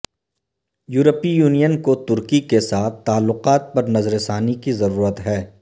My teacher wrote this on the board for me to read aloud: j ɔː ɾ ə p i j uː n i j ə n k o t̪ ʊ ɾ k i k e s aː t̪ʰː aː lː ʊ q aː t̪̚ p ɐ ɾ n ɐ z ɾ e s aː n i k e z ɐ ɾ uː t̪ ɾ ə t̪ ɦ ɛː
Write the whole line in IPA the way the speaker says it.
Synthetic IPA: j uː ɾ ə p i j uː n i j ə n k o t̪ ʊ ɾ k i k e s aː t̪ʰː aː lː ʊ q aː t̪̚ p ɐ ɾ n ɐ z ɾ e s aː n i k i z ɐ ɾ uː ɾ ə t̪ ɦ ɛː